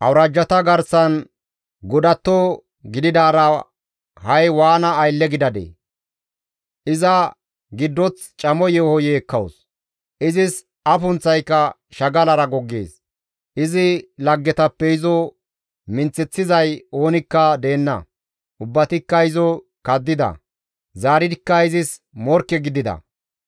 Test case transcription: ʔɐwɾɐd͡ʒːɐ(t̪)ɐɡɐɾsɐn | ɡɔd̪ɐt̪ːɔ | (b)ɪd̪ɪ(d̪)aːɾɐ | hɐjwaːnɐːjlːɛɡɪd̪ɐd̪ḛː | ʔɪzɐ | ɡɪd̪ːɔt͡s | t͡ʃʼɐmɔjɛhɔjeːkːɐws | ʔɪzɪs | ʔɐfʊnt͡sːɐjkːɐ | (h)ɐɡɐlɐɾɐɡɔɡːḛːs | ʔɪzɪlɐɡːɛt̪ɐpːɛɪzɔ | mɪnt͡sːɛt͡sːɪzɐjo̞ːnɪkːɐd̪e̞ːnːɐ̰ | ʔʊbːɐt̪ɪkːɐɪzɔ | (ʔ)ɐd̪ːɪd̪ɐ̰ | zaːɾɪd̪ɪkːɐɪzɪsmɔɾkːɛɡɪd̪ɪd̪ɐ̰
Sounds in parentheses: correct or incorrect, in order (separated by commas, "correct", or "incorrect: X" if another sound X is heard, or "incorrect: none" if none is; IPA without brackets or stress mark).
correct, incorrect: ɡ, correct, incorrect: ʃ, incorrect: k